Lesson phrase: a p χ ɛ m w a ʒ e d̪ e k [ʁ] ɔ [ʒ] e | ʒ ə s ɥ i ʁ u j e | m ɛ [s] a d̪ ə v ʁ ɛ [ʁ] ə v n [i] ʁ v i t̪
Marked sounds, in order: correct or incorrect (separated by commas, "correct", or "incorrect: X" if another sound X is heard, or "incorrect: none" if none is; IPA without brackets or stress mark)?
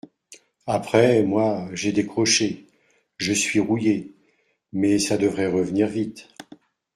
incorrect: χ, incorrect: ʃ, correct, correct, correct